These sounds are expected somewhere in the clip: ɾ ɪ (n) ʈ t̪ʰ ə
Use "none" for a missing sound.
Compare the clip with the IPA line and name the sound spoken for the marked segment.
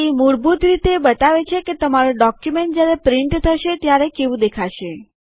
ɳ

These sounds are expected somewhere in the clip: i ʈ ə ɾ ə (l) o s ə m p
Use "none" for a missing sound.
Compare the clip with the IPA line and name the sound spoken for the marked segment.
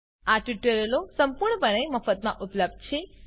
l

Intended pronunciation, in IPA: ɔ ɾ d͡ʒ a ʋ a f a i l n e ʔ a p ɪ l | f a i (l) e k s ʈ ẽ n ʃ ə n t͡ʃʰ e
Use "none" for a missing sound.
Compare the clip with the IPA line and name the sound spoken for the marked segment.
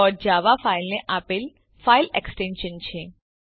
l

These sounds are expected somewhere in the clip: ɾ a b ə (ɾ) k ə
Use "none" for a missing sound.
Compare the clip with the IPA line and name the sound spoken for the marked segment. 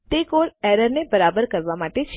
ɾ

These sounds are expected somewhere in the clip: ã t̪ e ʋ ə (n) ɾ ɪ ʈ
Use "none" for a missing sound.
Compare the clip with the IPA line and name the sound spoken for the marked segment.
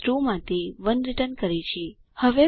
n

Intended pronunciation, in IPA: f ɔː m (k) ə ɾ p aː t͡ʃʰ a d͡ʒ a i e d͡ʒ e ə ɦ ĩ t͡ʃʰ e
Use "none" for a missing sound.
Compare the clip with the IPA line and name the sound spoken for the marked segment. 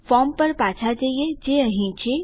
p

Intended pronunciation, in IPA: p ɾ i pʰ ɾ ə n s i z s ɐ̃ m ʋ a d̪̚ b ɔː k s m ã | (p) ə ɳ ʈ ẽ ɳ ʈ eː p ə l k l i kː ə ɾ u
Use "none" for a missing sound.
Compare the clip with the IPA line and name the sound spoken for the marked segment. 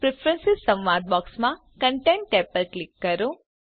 k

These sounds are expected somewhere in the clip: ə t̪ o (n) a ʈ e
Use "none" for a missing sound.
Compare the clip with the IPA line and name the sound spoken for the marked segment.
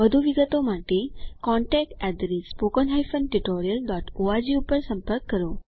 m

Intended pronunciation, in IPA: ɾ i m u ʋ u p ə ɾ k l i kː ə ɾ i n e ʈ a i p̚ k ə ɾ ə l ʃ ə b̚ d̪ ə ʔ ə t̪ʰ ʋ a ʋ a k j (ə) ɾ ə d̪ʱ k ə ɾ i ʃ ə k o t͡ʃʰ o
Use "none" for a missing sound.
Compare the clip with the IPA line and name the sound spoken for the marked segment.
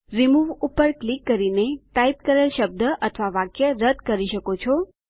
ə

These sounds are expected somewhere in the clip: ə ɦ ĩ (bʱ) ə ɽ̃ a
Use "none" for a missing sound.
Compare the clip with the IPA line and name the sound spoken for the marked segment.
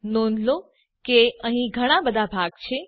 ɡʱ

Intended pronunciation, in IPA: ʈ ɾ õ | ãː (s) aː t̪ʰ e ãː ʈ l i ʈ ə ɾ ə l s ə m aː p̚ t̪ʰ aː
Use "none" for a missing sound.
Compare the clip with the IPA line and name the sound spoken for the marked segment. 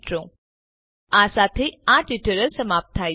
s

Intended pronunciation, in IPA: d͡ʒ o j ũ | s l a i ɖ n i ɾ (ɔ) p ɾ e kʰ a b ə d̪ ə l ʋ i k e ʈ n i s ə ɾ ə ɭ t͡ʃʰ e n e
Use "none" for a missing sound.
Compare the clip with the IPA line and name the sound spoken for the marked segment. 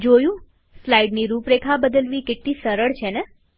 u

